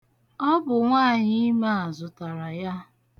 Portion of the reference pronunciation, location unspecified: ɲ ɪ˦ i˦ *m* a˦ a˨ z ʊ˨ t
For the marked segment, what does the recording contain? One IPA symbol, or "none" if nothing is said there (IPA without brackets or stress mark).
m